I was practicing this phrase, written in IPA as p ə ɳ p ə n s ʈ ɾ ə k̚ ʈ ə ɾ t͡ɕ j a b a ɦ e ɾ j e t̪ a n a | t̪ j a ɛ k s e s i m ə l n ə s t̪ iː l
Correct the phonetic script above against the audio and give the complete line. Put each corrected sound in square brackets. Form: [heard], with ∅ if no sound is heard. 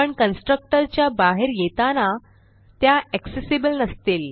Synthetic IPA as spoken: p ə ɳ [k] ə n s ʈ ɾ ə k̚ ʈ ə ɾ t͡ɕ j a b a ɦ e ɾ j e t̪ a n a | t̪ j a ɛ k s e s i [b] ə l n ə s t̪ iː l

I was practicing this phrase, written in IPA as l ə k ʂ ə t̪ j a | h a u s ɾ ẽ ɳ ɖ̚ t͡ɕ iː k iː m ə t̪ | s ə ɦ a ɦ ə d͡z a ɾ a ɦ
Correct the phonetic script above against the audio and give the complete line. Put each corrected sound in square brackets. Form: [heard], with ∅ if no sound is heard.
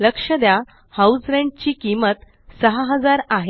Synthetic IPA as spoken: l ə k ʂ ə [d̪] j a | h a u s ɾ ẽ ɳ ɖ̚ t͡ɕ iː k [i] m ə t̪ | s ə ɦ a ɦ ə d͡z a ɾ a ɦ

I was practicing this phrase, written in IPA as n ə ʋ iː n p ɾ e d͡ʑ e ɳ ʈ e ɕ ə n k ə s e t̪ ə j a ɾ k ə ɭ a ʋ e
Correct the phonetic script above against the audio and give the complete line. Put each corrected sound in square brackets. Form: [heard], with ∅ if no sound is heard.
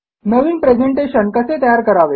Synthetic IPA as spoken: n ə ʋ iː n p ɾ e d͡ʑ e ɳ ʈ e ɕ ə n k ə s e t̪ ə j a ɾ k ə [ɾ] a ʋ e

